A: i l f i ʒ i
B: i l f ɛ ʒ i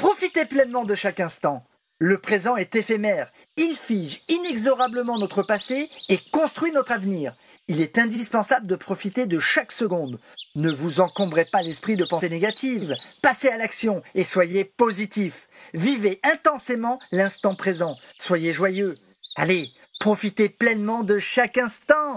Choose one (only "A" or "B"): A